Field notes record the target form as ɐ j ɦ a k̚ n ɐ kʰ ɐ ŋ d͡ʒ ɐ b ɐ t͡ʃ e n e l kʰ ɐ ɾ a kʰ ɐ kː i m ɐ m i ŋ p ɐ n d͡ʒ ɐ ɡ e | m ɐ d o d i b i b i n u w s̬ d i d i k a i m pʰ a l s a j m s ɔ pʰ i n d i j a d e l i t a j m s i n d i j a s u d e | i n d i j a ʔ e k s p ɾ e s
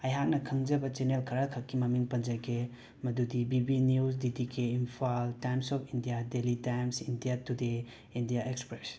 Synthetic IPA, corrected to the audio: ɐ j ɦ a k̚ n ɐ kʰ ɐ ŋ d͡ʒ ɐ b ɐ t͡ʃ e n e l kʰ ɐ ɾ a kʰ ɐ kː i m ɐ m i ŋ p ɐ n d͡ʒ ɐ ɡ e | m ɐ d u d i b i b i n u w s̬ d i d i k e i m pʰ a l t a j m s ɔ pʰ i n d i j a d e l i t a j m s i n d i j a t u d e | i n d i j a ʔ e k s p ɾ e s